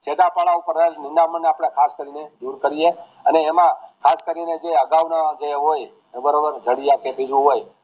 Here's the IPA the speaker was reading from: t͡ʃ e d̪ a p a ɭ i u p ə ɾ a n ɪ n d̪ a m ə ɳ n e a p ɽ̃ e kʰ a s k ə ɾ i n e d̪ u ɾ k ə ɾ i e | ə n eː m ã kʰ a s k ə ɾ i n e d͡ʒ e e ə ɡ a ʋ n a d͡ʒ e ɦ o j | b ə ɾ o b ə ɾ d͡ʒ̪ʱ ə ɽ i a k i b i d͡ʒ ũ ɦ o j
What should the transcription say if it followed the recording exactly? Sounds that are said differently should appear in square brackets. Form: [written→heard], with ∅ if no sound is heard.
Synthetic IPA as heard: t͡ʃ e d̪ a p a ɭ [i→a] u p ə ɾ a n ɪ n d̪ a m ə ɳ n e a p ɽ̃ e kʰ a s k ə ɾ i n e d̪ u ɾ k ə ɾ i e | ə n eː m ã kʰ a s k ə ɾ i n e d͡ʒ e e ə ɡ a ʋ n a d͡ʒ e ɦ o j | b ə ɾ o b ə ɾ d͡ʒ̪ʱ ə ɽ i a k [i→e] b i d͡ʒ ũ ɦ o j

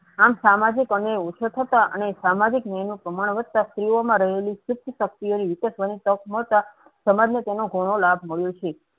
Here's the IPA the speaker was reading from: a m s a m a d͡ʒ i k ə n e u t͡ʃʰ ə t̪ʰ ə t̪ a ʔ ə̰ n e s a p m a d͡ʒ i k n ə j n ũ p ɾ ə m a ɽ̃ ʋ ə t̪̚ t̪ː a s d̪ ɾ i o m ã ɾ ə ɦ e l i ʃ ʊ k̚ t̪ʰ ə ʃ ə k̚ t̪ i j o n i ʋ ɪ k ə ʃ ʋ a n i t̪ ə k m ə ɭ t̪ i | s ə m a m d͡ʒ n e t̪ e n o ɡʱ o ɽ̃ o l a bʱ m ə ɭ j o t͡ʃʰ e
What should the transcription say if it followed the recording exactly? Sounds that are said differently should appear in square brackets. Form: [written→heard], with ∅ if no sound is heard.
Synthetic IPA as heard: a m s a m a d͡ʒ i k ə n e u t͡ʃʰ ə t̪ʰ ə t̪ a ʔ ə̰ n e s a [p→∅] m a d͡ʒ i k n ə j n ũ p ɾ ə m a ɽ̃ ʋ ə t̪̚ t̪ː a s [d̪→t̪] ɾ i o m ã ɾ ə ɦ e l i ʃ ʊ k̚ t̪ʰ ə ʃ ə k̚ t̪ i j o n i ʋ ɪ k ə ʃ ʋ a n i t̪ ə k m ə ɭ t̪ [i→a] | s ə m a [m→∅] d͡ʒ n e t̪ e n o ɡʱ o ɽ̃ o l a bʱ m ə ɭ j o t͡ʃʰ e

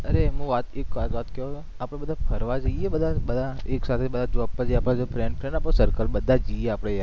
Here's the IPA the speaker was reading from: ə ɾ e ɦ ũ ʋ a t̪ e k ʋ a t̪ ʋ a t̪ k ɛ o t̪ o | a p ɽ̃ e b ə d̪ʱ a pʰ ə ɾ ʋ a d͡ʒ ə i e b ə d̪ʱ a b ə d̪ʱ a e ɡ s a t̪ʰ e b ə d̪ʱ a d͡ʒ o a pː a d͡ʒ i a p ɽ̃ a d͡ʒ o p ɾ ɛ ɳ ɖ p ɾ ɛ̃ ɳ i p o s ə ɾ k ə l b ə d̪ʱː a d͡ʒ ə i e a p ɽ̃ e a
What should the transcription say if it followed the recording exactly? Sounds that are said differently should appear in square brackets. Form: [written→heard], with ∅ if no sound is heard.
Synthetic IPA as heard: ə ɾ e ɦ ũ ʋ a t̪ e k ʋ a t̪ ʋ a t̪ k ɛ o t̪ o | a p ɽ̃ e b ə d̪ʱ a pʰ ə ɾ ʋ a d͡ʒ ə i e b ə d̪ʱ a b ə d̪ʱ a e [ɡ→k] s a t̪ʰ e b ə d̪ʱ a d͡ʒ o a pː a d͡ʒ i a p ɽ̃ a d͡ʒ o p ɾ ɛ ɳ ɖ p ɾ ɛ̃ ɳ [i→a] p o s ə ɾ k ə l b ə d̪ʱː a d͡ʒ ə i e a p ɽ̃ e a

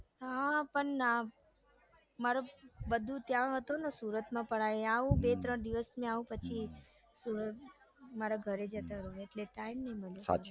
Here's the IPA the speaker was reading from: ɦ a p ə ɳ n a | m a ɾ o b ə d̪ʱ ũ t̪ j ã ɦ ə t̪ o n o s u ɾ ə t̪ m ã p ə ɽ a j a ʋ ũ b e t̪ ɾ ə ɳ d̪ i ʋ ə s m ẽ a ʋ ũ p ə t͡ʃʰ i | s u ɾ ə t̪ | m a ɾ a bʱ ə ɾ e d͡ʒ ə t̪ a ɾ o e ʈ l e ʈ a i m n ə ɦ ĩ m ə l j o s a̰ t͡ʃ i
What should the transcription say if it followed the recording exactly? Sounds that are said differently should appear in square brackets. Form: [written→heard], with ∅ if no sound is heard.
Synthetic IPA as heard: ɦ a p ə ɳ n a | m a ɾ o b ə d̪ʱ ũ t̪ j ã ɦ ə t̪ o n o s u ɾ ə t̪ m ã p ə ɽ a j a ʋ ũ b e t̪ ɾ ə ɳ d̪ i ʋ ə s m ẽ a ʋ ũ p ə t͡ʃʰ i | s u ɾ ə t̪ | m a ɾ a [bʱ→ɡʱ] ə ɾ e d͡ʒ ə t̪ a ɾ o e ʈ l e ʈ a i m n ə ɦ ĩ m ə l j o s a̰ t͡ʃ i

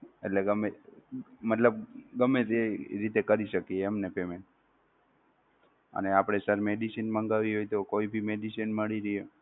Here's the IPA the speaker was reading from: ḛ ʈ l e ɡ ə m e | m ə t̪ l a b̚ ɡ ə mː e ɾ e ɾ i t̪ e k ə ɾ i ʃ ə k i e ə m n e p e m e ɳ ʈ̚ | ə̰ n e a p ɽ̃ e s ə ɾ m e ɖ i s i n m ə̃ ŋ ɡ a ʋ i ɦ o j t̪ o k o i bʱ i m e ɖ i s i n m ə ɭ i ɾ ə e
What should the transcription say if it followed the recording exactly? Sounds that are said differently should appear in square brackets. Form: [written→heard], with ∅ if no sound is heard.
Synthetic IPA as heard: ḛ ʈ l e ɡ ə m e | m ə t̪ l [a→ə] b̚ ɡ ə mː e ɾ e ɾ i t̪ e k ə ɾ i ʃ ə k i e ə m n e p e m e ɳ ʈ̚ | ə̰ n e a p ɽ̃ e s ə ɾ m e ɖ i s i n m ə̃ ŋ ɡ a ʋ i ɦ o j t̪ o k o i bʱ i m e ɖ i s i n m ə ɭ i ɾ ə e

